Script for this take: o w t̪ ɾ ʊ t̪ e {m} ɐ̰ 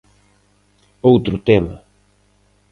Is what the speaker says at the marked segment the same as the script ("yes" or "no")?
yes